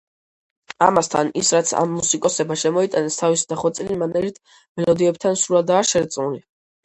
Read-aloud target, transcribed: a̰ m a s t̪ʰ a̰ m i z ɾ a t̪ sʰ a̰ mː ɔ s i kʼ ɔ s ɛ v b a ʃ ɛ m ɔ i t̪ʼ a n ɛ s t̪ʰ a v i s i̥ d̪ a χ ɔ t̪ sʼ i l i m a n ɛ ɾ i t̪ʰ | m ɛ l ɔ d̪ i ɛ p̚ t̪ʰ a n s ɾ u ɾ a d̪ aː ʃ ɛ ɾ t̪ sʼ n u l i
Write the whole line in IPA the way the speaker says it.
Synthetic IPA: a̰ m a s t̪ʰ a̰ n i s ɾ a t̪ sʰ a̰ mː u s i kʼ ɔ s ɛ b a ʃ ɛ m ɔ i t̪ʼ a n ɛ s t̪ʰ a v i s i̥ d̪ a χ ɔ t̪ sʼ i l i m a n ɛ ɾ i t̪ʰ | m ɛ l ɔ d̪ i ɛ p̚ t̪ʰ a n s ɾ u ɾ a d̪ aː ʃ ɛ ɾ t̪ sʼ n u l i